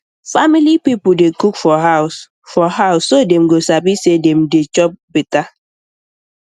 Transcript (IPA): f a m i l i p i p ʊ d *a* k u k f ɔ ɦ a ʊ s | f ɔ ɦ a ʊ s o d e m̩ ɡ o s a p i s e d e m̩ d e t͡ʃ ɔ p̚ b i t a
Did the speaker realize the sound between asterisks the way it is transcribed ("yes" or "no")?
no